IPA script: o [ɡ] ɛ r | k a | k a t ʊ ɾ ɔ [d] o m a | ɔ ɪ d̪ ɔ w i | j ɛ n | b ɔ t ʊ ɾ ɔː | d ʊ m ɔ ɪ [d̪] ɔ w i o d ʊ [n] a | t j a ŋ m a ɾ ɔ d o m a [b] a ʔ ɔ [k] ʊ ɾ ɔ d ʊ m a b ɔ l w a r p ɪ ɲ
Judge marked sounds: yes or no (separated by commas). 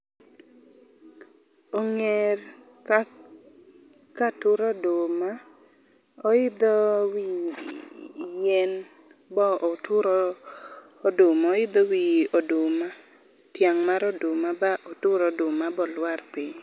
no, yes, yes, no, yes, no